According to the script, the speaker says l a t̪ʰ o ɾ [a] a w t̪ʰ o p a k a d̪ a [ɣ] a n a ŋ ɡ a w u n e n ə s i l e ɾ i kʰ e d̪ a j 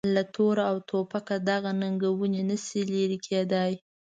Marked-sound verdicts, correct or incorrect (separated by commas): correct, correct